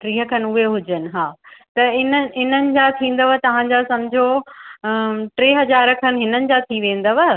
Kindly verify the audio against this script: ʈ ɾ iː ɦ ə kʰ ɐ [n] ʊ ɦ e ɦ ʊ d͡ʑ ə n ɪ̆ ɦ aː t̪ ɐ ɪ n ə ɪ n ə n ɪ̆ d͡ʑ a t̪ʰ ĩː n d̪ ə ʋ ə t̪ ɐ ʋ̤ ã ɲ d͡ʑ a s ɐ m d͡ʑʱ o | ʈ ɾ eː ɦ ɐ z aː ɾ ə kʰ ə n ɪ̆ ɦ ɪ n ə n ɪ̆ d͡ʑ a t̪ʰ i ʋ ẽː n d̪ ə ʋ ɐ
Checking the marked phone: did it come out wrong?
no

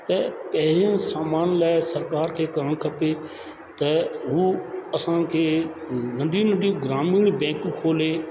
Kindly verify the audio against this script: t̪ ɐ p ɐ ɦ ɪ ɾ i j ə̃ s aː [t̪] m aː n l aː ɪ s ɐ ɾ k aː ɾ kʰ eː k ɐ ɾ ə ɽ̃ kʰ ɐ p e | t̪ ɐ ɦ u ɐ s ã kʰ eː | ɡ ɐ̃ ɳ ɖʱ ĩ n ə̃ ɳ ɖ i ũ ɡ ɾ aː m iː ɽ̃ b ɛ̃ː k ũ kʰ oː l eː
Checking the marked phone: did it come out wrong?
yes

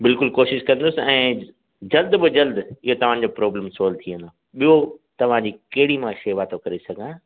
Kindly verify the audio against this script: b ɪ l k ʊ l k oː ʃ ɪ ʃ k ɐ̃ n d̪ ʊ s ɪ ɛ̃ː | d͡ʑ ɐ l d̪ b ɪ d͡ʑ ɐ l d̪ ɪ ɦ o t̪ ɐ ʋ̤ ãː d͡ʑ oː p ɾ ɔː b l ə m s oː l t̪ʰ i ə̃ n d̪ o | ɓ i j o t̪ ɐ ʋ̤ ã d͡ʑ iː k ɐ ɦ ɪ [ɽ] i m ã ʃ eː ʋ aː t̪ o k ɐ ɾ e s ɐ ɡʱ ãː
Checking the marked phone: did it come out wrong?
no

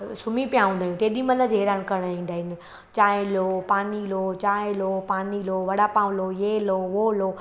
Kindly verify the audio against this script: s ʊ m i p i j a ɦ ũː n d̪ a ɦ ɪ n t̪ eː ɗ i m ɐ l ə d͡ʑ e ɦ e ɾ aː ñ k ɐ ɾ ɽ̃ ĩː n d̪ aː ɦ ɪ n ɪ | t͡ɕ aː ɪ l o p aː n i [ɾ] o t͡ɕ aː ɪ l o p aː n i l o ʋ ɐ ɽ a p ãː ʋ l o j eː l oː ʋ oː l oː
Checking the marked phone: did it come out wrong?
yes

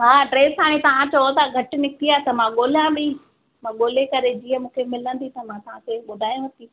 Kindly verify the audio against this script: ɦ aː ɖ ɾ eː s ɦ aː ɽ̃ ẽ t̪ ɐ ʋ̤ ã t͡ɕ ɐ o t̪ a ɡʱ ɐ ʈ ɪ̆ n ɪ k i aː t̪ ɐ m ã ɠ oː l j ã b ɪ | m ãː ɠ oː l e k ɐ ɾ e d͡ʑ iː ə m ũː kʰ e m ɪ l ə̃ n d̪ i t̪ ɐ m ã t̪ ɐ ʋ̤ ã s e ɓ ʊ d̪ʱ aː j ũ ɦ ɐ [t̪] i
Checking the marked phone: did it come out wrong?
no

